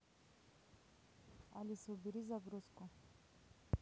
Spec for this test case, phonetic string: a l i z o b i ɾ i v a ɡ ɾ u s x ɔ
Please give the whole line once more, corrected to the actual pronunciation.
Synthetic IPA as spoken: a l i s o b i ɾ i z a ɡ ɾ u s k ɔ